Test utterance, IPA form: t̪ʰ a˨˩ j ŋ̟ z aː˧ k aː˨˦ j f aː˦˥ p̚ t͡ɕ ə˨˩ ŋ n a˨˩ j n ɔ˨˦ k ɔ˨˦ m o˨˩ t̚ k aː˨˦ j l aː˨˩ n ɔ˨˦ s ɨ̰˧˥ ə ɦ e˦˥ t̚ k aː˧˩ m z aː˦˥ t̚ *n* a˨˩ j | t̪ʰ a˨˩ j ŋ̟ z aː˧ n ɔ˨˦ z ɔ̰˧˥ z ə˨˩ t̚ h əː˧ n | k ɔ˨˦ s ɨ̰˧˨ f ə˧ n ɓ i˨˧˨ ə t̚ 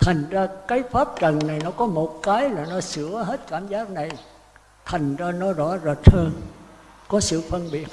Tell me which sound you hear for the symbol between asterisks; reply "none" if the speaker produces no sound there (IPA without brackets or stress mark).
n